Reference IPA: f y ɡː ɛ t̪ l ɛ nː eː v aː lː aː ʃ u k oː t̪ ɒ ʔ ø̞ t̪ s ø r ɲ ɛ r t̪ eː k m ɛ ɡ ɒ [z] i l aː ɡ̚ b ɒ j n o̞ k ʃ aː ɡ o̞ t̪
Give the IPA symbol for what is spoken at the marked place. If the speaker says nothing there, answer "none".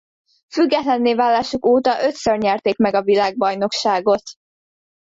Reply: v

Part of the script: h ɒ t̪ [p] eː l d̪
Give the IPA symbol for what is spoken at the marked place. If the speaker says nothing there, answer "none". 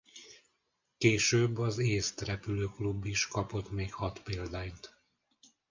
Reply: p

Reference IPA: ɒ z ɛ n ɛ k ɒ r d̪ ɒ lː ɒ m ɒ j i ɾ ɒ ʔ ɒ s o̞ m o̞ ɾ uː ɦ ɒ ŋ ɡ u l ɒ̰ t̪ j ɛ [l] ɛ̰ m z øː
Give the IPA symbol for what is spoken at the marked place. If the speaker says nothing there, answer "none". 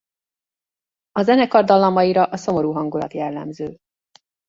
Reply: lː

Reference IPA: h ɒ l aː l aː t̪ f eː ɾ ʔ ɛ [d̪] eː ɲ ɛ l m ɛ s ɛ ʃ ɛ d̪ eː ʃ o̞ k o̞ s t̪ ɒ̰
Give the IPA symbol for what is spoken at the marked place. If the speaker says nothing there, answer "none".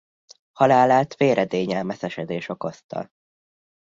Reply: d̪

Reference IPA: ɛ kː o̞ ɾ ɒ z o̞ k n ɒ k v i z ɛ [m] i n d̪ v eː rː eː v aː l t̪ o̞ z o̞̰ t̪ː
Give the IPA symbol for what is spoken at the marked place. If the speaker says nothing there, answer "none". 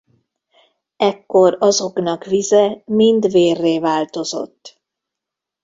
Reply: m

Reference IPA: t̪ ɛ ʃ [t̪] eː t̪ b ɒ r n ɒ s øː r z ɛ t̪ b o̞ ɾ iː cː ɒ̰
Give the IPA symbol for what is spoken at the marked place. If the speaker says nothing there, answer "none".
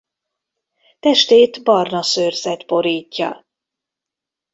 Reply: t̪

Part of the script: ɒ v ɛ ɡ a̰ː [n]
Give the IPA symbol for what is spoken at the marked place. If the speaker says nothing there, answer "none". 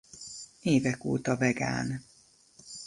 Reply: n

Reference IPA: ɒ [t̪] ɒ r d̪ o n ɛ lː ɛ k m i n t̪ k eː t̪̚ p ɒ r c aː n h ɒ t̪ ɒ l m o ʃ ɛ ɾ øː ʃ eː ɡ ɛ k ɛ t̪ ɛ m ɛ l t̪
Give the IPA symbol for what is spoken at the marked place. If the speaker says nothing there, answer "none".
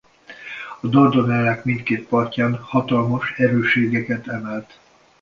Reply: d̪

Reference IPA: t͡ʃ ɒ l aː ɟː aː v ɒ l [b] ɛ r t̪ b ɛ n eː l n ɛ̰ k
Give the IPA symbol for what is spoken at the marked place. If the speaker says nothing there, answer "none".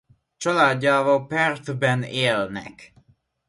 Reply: p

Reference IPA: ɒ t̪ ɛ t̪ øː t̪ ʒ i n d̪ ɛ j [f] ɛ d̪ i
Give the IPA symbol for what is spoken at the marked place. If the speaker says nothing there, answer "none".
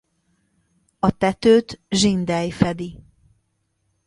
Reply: f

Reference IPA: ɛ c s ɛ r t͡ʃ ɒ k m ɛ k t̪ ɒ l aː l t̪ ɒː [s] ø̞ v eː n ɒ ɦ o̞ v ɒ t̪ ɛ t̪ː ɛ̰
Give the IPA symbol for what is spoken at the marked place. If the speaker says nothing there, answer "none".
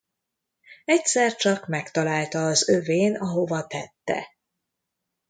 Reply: z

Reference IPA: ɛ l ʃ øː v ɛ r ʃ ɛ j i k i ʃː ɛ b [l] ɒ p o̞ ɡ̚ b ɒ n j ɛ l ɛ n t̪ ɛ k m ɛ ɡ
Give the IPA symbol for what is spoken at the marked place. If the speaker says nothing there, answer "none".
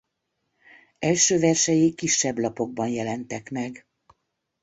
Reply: l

